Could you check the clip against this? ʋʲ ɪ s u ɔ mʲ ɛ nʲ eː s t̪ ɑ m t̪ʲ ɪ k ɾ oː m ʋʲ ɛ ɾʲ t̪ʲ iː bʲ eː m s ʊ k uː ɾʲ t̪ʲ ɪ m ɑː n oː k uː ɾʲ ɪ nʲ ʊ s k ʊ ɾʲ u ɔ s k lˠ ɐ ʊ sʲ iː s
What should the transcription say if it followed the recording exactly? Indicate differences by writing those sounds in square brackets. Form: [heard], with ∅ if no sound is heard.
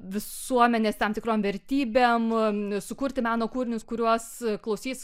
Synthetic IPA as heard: ʋʲ ɪ s u ɔ mʲ ɛ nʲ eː s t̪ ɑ m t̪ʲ ɪ k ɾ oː m ʋʲ ɛ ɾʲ t̪ʲ iː bʲ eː m s ʊ k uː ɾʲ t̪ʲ ɪ m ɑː n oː k uː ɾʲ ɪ nʲ ʊ s k ʊ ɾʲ u ɔ s k lˠ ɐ ʊ sʲ iː s